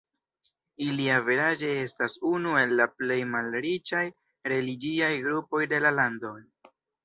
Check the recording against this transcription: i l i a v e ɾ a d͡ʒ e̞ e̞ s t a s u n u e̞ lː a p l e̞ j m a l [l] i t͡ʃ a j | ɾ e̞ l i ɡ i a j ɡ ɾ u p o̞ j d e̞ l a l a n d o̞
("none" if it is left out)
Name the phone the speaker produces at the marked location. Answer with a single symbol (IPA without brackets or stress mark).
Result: ɾ